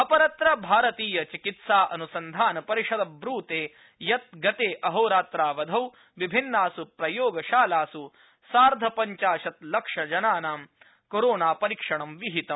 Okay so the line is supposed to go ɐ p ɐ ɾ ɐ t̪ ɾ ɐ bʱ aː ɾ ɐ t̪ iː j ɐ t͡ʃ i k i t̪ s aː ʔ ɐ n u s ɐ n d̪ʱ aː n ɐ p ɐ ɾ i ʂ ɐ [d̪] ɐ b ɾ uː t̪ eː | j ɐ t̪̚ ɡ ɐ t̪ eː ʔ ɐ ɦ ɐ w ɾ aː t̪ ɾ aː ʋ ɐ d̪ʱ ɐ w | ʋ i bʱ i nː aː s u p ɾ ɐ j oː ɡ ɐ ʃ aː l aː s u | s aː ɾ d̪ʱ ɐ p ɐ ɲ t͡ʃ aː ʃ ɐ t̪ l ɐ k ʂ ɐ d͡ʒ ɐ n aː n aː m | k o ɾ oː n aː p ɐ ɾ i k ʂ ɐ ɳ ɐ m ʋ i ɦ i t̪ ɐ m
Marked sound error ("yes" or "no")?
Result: no